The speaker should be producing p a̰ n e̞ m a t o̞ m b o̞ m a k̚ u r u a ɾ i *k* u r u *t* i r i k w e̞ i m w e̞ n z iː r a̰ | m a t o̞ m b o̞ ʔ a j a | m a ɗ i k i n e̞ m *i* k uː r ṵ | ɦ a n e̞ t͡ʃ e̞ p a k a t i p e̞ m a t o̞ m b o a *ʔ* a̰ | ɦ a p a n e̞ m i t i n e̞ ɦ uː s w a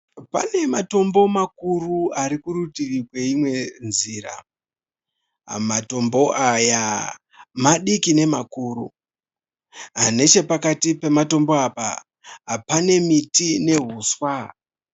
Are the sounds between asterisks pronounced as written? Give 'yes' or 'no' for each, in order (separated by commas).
yes, yes, no, no